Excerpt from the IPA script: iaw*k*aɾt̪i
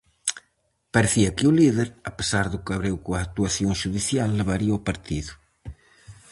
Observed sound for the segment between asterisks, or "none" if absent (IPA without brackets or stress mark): p